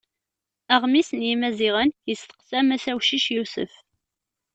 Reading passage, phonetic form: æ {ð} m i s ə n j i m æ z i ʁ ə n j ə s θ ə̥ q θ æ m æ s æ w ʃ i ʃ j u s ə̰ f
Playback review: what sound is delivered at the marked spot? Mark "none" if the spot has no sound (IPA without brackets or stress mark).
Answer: ʁ